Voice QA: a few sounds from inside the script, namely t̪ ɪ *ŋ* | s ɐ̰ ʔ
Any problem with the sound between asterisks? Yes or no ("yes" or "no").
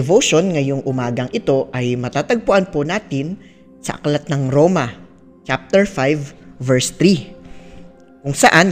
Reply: yes